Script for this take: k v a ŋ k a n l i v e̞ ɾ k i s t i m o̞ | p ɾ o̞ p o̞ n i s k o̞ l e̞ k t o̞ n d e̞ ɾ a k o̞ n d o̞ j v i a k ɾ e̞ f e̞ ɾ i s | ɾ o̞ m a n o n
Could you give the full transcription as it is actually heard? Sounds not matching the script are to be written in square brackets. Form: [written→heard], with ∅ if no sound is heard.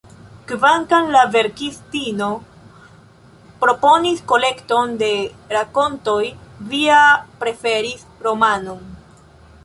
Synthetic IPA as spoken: k v a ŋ k a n l [i→a] v e̞ ɾ k i s t i [m→n] o̞ | p ɾ o̞ p o̞ n i s k o̞ l e̞ k t o̞ n d e̞ ɾ a k o̞ n [d→t] o̞ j v i a [k→p] ɾ e̞ f e̞ ɾ i s | ɾ o̞ m a n o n